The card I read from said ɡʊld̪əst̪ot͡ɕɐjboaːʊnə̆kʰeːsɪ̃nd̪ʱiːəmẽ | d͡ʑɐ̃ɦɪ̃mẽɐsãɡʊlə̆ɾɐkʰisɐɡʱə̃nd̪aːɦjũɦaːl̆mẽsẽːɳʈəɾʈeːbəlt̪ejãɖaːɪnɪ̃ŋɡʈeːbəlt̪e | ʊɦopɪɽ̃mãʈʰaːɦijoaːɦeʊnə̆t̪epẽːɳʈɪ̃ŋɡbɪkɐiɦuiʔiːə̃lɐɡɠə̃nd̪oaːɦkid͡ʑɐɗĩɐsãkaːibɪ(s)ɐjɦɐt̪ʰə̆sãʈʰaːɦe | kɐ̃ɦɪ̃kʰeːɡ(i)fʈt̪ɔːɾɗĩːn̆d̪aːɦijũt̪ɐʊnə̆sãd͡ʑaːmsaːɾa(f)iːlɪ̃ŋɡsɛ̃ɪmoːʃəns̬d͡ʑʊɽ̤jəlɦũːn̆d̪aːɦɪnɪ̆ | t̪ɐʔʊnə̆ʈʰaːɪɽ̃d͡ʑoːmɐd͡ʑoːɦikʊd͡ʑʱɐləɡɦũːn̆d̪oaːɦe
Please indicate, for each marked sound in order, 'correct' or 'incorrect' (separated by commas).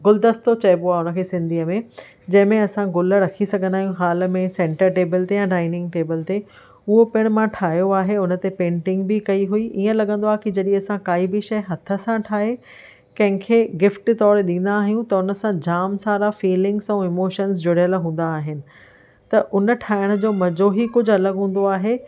incorrect, incorrect, correct